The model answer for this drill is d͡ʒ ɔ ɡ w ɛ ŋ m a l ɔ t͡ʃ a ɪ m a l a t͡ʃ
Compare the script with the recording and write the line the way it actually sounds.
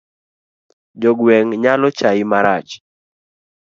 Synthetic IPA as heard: d͡ʒ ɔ ɡ w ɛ ŋ ɲ a l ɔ t͡ʃ a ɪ m a ɾ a t͡ʃ